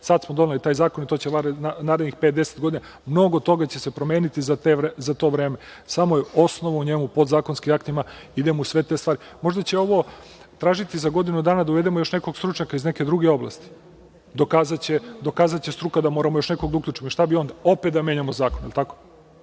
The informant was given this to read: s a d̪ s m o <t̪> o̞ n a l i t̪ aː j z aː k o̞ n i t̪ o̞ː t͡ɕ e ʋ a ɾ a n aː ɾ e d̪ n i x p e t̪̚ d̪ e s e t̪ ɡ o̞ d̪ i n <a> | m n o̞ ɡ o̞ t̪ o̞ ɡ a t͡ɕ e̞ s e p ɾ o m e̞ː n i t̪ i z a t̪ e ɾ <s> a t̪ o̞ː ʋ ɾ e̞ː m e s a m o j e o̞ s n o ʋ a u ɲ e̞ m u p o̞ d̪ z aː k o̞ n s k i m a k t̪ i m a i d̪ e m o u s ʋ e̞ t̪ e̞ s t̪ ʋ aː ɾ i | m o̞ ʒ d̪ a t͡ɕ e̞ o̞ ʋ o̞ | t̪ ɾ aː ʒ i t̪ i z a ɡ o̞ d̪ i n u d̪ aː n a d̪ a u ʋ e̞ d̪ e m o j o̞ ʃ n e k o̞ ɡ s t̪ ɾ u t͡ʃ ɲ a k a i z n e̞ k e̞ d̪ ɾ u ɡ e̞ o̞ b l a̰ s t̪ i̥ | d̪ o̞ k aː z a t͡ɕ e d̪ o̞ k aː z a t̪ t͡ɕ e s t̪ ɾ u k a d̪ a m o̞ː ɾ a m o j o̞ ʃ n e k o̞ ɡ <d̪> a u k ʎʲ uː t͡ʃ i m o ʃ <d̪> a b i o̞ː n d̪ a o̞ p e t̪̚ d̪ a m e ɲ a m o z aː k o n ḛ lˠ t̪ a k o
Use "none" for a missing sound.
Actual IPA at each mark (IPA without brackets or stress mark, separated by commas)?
d̪, a, z, d̪, t̪